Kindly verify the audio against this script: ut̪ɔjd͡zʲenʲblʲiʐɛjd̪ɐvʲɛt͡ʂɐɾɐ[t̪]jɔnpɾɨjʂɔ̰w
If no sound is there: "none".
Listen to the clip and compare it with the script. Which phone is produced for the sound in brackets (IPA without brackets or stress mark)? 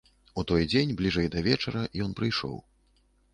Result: none